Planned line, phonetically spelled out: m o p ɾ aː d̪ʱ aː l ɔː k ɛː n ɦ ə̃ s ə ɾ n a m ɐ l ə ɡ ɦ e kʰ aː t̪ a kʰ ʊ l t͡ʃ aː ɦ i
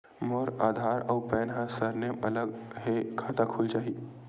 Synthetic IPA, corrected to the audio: m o ɾ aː d̪ʱ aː ɾ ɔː p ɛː n ɦ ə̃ s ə ɾ n e m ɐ l ə ɡ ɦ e kʰ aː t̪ a kʰ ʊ l t͡ʃ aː ɦ i

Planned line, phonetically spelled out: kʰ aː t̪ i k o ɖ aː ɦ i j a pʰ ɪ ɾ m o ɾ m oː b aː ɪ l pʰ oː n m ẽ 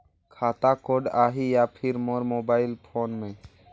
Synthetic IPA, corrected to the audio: kʰ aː t̪ a k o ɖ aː ɦ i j a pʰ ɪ ɾ m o ɾ m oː b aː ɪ l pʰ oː n m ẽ

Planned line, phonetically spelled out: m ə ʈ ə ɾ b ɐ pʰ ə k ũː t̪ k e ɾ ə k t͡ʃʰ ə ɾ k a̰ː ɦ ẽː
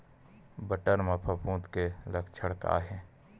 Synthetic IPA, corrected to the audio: b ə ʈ ə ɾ m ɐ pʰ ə p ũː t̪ k e l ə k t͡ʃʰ ə ɽ k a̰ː ɦ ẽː

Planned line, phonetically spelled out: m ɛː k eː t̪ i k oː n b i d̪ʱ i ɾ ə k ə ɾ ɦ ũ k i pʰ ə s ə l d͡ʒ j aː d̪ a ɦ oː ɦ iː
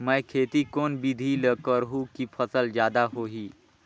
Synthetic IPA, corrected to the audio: m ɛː kʰ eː t̪ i k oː n b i d̪ʱ i l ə k ə ɾ ɦ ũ k i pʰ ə s ə l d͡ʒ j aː d̪ a ɦ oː ɦ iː

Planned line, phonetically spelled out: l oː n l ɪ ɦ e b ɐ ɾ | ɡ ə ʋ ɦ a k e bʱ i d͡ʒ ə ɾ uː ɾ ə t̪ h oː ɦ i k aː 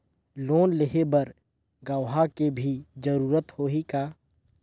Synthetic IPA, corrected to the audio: l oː n l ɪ ɦ e b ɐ ɾ | ɡ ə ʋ ɦ a k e bʱ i d͡ʒ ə ɾ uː ɾ ə t̪ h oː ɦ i k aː

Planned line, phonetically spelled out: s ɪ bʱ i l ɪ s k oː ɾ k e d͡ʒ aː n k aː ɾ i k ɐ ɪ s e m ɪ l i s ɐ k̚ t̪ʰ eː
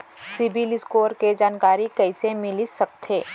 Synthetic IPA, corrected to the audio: s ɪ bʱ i l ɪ s k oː ɾ k e d͡ʒ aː n k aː ɾ i k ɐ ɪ s e m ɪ l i s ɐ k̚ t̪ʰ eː

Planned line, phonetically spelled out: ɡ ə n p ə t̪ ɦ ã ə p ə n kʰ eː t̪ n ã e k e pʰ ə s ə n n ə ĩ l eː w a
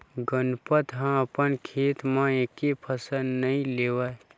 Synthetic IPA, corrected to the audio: ɡ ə n p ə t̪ ɦ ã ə p ə n kʰ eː t̪ m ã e k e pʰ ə s ə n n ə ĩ l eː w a

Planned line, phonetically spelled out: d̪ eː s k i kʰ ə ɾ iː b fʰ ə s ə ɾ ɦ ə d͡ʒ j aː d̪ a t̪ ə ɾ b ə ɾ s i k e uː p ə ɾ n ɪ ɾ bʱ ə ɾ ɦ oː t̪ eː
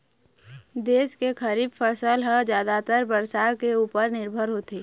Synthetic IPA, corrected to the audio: d̪ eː s k e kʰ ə ɾ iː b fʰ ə s ə l ɦ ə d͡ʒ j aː d̪ a t̪ ə ɾ b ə ɾ s a k e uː p ə ɾ n ɪ ɾ bʱ ə ɾ ɦ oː t̪ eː

